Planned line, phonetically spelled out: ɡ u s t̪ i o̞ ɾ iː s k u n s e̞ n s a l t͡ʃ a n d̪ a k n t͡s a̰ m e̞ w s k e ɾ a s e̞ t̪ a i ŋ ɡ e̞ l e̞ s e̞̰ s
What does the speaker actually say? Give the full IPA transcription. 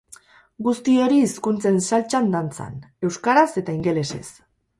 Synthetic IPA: ɡ u s t̪ i o̞ ɾ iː s k u n t͡s e̞ n s a l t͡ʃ a n d̪ a n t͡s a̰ n e̞ w s k a ɾ a s e̞ t̪ a i ŋ ɡ e̞ l e̞ s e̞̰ s